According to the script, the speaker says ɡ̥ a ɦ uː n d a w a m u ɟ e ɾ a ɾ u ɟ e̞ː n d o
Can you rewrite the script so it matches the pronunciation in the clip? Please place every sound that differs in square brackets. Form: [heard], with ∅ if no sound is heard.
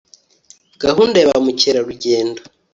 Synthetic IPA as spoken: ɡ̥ a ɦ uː n d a [β] a m u [c] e ɾ a ɾ u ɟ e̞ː n d o